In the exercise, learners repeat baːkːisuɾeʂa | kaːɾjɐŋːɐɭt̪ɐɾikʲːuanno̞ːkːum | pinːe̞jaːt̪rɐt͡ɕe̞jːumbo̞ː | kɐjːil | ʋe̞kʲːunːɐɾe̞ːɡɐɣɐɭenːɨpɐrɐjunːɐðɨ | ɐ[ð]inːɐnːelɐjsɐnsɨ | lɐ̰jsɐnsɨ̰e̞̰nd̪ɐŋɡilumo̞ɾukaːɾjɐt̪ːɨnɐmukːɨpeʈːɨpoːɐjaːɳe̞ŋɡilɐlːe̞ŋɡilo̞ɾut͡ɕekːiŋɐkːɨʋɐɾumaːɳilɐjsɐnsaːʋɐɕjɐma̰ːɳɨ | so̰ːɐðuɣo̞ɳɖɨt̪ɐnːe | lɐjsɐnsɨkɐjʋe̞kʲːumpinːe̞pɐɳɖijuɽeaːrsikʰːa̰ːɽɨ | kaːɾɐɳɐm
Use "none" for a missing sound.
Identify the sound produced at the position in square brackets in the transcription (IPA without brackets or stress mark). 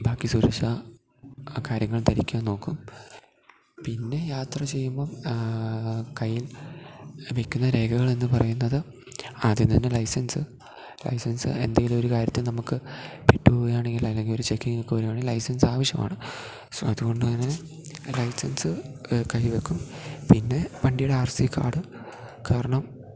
ð